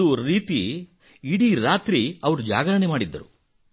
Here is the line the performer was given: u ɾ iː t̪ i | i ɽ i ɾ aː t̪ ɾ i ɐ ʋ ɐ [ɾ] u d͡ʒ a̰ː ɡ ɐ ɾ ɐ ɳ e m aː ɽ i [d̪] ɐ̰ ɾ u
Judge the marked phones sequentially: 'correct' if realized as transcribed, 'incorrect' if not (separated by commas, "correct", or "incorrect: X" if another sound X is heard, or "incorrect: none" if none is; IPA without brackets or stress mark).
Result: correct, incorrect: d̪ː